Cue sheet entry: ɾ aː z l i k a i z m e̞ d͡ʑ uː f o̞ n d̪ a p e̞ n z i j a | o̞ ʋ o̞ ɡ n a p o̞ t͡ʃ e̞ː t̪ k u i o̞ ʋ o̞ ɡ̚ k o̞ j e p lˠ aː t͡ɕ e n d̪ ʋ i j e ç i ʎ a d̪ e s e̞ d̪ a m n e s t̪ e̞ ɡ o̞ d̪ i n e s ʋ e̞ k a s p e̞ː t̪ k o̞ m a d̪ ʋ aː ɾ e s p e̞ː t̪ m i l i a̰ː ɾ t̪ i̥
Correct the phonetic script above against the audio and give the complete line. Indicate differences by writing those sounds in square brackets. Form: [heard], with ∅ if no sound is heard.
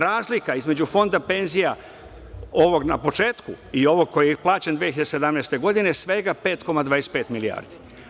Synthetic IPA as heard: ɾ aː z l i k a i z m e̞ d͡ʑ [u] f o̞ n d̪ a p e̞ n z i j a | o̞ ʋ o̞ ɡ n a p o̞ t͡ʃ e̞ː t̪ k u i o̞ ʋ o̞ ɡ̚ k o̞ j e p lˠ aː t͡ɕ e n d̪ ʋ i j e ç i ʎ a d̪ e s e̞ d̪ a m n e s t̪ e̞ ɡ o̞ d̪ i n e s ʋ e̞ [ɡ] a [∅] p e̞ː t̪ k o̞ m a d̪ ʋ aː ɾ e s p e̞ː t̪ m i l i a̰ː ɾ [d̪] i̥